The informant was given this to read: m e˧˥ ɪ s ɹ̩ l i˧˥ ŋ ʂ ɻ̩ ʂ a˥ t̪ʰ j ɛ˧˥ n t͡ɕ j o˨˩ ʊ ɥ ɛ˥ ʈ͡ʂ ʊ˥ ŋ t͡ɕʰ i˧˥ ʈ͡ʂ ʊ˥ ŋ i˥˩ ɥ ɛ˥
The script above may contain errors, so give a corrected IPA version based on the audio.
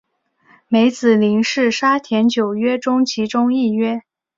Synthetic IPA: m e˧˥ ɪ t͡s ɹ̩ l i˧˥ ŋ ʂ ɻ̩ ʂ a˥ t̪ʰ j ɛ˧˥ n t͡ɕ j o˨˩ ʊ ɥ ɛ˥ ʈ͡ʂ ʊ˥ ŋ t͡ɕʰ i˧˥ ʈ͡ʂ ʊ˥ ŋ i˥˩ ɥ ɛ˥